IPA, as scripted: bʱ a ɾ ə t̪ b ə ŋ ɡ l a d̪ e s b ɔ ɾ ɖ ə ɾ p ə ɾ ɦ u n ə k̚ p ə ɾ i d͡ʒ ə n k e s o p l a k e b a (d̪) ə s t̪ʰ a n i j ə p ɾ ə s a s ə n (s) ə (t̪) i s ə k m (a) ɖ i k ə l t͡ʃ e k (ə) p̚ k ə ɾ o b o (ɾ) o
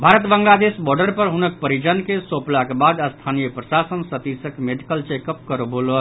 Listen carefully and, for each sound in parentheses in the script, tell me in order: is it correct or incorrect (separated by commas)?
correct, correct, correct, incorrect, correct, incorrect